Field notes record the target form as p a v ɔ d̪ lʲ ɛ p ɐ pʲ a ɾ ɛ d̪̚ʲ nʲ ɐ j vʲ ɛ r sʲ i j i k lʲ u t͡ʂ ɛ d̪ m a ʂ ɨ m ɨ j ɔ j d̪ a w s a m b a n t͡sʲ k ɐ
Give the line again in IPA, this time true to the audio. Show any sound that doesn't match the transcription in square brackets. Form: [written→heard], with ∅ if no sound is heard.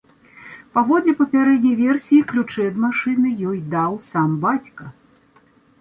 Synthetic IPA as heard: p a v ɔ d̪ lʲ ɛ p ɐ pʲ a ɾ ɛ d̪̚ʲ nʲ ɐ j vʲ ɛ r sʲ i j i k lʲ u t͡ʂ ɛ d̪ m a ʂ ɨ [m→n] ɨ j ɔ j d̪ a w s a m b a [n→∅] t͡sʲ k ɐ